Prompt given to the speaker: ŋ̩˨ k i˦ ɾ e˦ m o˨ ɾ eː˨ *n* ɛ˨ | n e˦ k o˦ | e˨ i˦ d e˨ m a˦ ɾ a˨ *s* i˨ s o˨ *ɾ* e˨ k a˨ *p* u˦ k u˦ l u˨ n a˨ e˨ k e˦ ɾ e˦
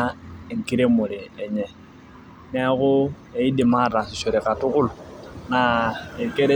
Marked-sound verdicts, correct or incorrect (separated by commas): incorrect, correct, correct, incorrect